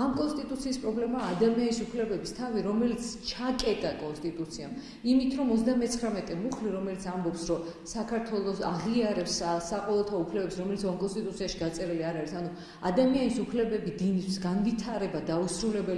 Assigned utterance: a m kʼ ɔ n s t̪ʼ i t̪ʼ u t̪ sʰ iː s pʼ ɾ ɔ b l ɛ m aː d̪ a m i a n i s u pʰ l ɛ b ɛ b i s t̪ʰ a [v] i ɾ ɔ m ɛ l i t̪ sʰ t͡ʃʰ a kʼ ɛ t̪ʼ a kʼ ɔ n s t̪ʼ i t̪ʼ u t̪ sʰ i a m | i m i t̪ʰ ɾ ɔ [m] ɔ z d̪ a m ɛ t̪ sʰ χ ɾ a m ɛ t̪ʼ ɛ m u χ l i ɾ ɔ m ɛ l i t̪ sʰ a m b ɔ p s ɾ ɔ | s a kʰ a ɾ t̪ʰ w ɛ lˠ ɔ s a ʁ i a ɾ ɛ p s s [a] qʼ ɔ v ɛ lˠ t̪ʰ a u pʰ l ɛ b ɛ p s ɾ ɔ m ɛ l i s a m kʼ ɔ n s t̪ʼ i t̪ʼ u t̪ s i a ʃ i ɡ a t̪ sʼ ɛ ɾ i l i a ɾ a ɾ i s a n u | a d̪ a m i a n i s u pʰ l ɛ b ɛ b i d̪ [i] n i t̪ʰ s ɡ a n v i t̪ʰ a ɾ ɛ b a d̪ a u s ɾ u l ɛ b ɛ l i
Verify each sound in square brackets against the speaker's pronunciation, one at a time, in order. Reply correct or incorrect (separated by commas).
correct, correct, correct, correct